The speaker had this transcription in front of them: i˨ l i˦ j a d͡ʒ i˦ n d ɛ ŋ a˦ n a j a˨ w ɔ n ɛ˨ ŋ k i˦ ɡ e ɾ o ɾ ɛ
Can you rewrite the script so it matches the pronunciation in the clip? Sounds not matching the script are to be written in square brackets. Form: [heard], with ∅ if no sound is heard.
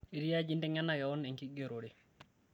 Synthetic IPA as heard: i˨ [ɾ] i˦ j a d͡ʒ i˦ n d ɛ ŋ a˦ n a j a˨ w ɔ n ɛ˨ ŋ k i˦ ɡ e ɾ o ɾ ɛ